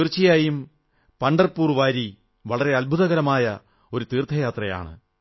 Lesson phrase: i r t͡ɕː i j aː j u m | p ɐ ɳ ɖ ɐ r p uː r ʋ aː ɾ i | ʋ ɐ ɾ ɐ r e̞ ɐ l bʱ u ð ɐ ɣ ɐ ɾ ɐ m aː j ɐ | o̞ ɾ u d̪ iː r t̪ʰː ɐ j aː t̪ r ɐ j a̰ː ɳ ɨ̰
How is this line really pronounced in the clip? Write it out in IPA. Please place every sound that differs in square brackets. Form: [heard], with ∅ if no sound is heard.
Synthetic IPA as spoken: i r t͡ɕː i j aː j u m | p ɐ ɳ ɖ ɐ r p uː r ʋ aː ɾ i | ʋ ɐ [ɭ] ɐ r e̞ ɐ l bʱ u ð ɐ ɣ ɐ ɾ ɐ m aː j ɐ | o̞ ɾ u [t̪] iː r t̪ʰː ɐ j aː t̪ r ɐ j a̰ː ɳ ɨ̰